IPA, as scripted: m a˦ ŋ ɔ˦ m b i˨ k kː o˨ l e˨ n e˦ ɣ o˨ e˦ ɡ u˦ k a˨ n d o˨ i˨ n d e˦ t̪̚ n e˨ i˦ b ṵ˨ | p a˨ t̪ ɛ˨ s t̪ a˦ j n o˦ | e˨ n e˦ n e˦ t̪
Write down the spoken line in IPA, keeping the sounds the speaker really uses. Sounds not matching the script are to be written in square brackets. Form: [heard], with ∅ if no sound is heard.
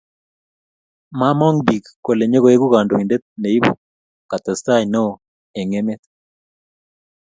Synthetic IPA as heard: m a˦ [m] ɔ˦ [ŋ] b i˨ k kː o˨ l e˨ [ɲ] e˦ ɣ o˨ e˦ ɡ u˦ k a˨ n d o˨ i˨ n d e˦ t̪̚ n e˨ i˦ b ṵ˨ | [k] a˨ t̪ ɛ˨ s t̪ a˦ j n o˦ | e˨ [ŋ] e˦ [m] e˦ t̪